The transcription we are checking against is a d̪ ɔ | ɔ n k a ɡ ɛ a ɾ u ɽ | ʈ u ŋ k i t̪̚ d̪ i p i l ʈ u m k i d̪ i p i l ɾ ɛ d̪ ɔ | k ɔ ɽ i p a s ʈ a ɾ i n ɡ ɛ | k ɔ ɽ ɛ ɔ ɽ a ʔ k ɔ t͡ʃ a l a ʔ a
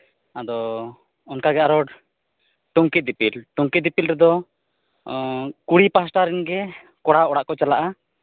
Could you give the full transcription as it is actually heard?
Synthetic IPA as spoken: a d̪ ɔ | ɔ n k a ɡ ɛ a ɾ ɔ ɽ | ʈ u ŋ k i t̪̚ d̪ i p i l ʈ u ŋ k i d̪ i p i l ɾ ɛ d̪ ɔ | k u ɽ i p a s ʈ a ɾ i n ɡ ɛ | k ɔ ɽ a ɔ ɽ a ʔ k ɔ t͡ʃ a l a ʔ a